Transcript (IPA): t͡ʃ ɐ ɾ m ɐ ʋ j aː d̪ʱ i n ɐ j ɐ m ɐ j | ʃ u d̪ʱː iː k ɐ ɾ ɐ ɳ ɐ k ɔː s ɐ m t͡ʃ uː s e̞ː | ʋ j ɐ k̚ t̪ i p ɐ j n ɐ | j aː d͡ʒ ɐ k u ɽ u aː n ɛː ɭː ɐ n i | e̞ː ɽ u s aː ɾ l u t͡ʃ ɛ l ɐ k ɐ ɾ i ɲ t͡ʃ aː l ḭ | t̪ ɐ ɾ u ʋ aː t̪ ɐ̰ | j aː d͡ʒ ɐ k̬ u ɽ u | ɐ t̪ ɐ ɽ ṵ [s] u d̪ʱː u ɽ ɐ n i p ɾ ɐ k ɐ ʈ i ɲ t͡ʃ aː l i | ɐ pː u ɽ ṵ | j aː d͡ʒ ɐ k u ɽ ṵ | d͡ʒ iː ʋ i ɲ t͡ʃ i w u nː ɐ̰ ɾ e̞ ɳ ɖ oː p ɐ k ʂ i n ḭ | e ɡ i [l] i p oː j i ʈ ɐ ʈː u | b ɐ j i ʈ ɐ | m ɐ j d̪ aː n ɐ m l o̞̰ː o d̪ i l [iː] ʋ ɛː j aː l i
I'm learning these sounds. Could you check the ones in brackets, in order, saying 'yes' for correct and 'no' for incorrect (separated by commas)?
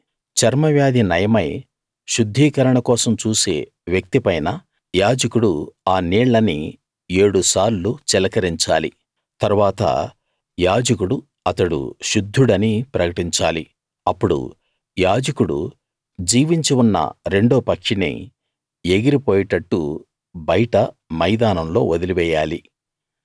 no, no, no